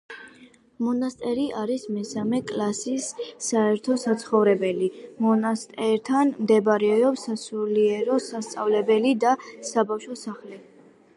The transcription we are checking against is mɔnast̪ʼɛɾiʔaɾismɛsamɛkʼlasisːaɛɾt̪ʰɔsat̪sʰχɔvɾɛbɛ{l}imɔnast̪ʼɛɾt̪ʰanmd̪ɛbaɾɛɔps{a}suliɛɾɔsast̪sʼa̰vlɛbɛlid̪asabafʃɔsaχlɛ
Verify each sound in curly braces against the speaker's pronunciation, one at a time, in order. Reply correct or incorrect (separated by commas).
correct, correct